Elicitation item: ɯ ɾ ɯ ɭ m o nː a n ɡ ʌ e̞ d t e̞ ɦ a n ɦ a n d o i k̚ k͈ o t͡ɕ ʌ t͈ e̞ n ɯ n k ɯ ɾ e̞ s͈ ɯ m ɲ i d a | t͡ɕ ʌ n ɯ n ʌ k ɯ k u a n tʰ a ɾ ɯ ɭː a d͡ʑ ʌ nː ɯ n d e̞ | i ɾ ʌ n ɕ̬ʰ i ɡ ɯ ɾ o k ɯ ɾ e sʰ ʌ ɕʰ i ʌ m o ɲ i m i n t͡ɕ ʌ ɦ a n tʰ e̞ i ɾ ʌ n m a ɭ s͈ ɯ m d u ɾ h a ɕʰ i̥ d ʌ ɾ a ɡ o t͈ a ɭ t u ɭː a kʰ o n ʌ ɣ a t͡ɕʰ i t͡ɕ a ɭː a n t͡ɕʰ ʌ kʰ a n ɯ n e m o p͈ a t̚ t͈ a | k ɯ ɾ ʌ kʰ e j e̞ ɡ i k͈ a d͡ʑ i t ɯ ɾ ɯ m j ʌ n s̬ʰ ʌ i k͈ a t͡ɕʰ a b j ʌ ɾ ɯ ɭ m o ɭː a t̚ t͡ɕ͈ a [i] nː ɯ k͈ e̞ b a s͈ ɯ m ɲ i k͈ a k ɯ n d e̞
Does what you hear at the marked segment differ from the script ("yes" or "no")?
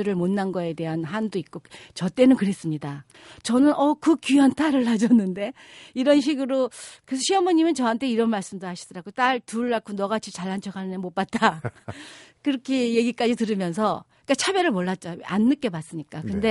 yes